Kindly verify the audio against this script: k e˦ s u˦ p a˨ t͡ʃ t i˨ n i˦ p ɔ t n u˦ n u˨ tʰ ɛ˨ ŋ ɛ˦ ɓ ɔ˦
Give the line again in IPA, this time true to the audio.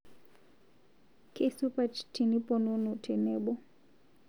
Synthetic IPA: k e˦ s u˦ p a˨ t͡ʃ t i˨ n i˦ p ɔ n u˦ n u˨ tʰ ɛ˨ n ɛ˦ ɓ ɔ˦